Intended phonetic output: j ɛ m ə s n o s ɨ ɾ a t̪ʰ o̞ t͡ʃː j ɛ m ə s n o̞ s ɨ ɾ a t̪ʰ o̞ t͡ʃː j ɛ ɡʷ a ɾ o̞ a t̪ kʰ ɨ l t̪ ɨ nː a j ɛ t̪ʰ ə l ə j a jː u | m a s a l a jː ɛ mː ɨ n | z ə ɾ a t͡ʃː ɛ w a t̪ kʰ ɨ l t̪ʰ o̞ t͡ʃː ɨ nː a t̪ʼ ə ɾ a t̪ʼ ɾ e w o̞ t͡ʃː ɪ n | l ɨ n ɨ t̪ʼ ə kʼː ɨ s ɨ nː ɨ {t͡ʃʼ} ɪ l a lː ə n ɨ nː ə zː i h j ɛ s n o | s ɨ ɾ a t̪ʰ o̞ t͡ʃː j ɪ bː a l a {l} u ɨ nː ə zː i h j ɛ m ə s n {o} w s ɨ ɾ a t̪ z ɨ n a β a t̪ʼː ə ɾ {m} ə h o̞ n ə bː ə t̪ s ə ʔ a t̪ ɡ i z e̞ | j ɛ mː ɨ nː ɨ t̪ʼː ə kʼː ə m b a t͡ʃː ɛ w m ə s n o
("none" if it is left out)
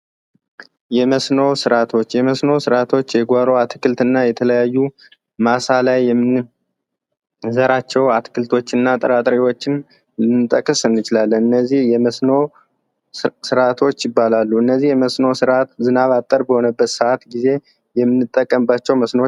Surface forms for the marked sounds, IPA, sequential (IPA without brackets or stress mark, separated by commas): t͡ʃ, lː, o, b